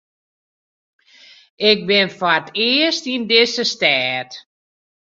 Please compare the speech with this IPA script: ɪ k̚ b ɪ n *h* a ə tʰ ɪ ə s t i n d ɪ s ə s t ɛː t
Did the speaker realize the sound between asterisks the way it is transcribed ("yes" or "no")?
no